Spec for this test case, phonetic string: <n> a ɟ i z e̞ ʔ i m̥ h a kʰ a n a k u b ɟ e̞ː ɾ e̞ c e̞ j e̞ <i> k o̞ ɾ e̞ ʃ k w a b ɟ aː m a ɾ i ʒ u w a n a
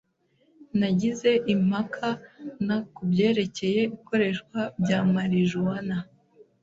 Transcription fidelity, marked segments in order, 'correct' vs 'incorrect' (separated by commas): correct, correct